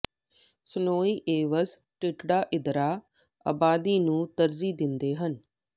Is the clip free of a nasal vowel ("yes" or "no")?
no